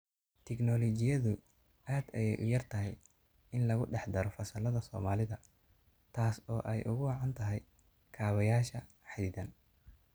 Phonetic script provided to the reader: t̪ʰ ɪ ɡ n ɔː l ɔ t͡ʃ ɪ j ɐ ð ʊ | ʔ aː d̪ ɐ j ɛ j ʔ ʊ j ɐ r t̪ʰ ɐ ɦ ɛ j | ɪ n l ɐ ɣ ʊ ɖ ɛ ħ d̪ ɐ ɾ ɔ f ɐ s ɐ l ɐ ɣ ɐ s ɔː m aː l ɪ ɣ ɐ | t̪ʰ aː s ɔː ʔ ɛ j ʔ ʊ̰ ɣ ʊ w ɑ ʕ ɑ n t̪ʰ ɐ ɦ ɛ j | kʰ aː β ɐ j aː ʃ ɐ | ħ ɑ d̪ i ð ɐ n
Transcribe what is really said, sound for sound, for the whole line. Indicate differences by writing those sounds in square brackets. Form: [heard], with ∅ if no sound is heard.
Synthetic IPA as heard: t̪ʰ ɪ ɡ n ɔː l ɔ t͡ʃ ɪ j ɐ ð ʊ | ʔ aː d̪ ɐ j ɛ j ʔ ʊ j ɐ r t̪ʰ ɐ ɦ ɛ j | ɪ n l ɐ ɣ ʊ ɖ ɛ ħ d̪ ɐ ɾ ɔ f ɐ s ɐ l ɐ [ð] ɐ s ɔː m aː l ɪ [ð] ɐ | t̪ʰ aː s ɔː ʔ ɛ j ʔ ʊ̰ ɣ ʊ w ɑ ʕ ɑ n t̪ʰ ɐ ɦ ɛ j | kʰ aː β ɐ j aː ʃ ɐ | ħ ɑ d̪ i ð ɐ n